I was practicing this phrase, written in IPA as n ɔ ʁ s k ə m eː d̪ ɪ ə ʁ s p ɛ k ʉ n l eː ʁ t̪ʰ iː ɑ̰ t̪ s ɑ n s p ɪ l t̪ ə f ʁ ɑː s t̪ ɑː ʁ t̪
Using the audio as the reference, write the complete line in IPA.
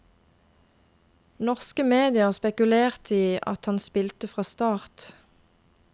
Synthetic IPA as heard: n ɔ ʁ s k ə m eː d̪ ɪ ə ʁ s p ɛ k ʉ l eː ʁ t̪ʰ iː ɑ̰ t̪ h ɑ n s p ɪ l t̪ ə f ʁ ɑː s t̪ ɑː ʁ t̪

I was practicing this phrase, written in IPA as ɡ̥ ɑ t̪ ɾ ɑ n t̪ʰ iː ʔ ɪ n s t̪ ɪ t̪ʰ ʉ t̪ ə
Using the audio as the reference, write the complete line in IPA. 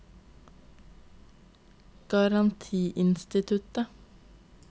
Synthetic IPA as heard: ɡ̥ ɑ ɾ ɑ n t̪ʰ iː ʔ ɪ n s t̪ ɪ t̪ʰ ʉ t̪ ə

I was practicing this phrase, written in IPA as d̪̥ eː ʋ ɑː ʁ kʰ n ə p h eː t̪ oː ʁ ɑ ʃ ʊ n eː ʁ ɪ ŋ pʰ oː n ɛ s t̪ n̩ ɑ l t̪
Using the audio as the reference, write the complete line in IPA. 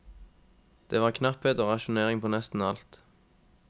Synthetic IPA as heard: d̪̥ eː ʋ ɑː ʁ kʰ n ɑ p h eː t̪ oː ʁ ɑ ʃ ʊ n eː ʁ ɪ ŋ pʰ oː n ɛ s t̪ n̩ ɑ l t̪

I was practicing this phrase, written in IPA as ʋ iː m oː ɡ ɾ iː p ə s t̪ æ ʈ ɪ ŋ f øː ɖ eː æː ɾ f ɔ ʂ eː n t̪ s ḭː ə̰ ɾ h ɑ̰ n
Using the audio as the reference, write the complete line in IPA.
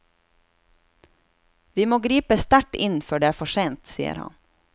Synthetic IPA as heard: ʋ iː m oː ɡ ɾ iː p ə s t̪ æ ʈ ɪ n f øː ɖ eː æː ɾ f ɔ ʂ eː n t̪ s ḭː ə̰ ɾ h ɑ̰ n

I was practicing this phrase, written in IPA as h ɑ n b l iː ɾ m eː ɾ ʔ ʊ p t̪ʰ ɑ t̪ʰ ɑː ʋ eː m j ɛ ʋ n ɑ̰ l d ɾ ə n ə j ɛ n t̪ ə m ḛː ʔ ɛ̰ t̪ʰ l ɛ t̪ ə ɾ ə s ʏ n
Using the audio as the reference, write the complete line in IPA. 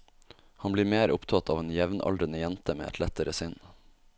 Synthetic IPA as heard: h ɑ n b l iː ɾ m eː ɾ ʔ ʊ p t̪ʰ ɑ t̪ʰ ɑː ʋ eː n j ɛ ʋ n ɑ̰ l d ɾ ə n ə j ɛ n t̪ ə m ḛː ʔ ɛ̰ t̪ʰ l ɛ t̪ ə ɾ ə s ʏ n

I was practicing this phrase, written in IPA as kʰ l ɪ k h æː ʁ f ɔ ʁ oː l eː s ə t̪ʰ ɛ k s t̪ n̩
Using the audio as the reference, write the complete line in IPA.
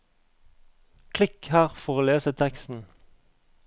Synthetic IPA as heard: kʰ l ɪ k h æː ʁ f ɔ ʁ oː l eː s ə t̪ʰ ɛ k s t̪ n̩

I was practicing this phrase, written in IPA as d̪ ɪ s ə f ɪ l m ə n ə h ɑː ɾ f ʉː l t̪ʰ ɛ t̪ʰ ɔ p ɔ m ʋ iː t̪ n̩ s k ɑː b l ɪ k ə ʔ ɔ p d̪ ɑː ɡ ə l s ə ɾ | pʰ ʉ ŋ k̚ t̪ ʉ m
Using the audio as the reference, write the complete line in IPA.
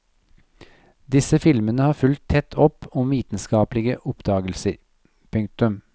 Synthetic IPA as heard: d̪ ɪ s ə f ɪ l m ə n ə h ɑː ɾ f ʉ l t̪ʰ ɛ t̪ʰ ɔ p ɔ m ʋ iː t̪ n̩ s k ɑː p l ɪ ɡ ə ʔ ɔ p d̪ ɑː ɡ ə l s ə ɾ | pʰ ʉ ŋ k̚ t̪ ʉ m

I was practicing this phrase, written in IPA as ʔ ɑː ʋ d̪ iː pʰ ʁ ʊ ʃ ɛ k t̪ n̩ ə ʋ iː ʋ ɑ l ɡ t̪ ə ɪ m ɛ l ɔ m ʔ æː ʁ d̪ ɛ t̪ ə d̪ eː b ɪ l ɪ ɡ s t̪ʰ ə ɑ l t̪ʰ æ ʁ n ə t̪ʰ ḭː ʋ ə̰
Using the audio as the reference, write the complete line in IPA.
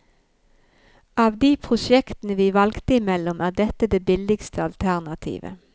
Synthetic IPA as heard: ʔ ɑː ʋ d̪ iː pʰ ʁ ʊ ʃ ɛ k t̪ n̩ ə ʋ iː ʋ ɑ l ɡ t̪ ə ɪ m ɛ l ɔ m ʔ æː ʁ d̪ ɛ t̪ ə d̪ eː b ɪ l ɪ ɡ s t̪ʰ ə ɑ l t̪ʰ æ ʁ n ɑ t̪ʰ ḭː ʋ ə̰

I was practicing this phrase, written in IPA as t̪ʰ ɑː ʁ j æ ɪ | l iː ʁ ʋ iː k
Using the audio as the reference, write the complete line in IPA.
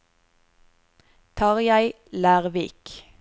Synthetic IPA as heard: t̪ʰ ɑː ʁ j æ ɪ | l æː ʁ ʋ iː k

